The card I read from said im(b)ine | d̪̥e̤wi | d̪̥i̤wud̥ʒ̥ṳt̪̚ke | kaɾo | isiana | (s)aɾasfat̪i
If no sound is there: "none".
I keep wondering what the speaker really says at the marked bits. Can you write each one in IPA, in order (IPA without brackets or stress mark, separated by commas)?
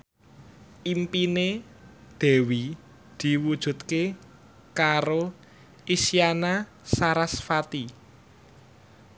p, s